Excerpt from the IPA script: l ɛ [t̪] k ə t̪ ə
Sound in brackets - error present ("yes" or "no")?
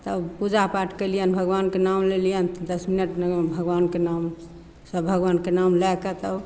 yes